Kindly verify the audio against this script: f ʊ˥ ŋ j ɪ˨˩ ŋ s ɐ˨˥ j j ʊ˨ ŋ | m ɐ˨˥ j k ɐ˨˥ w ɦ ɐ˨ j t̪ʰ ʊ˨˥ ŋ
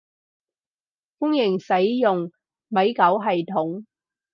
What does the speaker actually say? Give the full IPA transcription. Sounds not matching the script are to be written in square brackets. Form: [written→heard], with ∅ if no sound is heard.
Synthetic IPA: f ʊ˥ ŋ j ɪ˨˩ ŋ s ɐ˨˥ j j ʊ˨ ŋ | m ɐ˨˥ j k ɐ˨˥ w ɦ ɐ˨ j t̪ʰ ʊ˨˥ ŋ